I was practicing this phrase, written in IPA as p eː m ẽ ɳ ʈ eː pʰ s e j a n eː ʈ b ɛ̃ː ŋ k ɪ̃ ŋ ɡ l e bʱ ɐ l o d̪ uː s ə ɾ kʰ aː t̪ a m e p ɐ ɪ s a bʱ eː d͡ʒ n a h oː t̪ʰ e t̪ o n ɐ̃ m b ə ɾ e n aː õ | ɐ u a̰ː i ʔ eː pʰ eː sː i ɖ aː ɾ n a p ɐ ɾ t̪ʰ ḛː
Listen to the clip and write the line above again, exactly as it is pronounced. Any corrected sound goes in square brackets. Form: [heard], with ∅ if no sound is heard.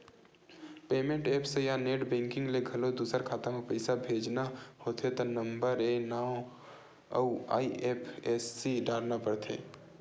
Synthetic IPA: p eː m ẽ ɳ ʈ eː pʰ s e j a n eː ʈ b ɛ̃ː ŋ k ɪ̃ ŋ ɡ l e [ɡʱ] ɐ l o d̪ uː s ə ɾ kʰ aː t̪ a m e p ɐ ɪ s a bʱ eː d͡ʒ n a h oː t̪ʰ e t̪ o n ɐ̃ m b ə ɾ e n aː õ | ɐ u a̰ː i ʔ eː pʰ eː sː i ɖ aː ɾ n a p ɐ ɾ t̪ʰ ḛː